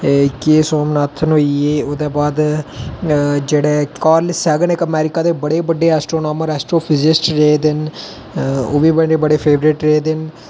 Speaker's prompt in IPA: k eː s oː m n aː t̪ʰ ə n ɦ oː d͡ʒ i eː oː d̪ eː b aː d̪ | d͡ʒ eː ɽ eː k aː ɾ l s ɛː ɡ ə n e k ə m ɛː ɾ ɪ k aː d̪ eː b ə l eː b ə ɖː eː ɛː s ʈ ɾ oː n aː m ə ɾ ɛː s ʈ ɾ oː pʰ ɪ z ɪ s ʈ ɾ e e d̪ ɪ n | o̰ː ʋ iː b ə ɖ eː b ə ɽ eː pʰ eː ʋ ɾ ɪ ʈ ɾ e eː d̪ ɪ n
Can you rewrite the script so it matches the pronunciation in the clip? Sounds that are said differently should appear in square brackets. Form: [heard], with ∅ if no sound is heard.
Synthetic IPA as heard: k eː s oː m n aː t̪ʰ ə n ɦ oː [∅] i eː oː d̪ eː b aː d̪ | d͡ʒ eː ɽ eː k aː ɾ l s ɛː ɡ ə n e k ə m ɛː ɾ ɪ k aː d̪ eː b ə [ɽ] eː b ə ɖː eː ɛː s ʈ ɾ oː n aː m ə ɾ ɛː s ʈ ɾ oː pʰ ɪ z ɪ s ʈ ɾ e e d̪ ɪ n | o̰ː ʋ iː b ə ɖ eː b ə ɽ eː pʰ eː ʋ ɾ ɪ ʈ ɾ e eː d̪ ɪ n